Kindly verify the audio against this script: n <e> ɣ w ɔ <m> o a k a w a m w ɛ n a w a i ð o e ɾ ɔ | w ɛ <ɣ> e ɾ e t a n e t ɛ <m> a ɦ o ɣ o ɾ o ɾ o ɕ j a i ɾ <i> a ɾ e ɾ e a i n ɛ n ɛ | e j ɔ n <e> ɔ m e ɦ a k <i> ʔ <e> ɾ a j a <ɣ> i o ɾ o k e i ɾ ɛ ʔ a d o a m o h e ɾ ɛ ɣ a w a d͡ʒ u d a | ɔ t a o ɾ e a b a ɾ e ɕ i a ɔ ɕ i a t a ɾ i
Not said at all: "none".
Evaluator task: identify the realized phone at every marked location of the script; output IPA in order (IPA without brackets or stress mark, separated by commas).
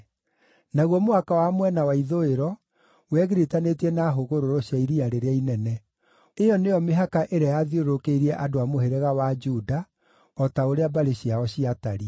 a, m, ɣ, n, i, e, a, e, ð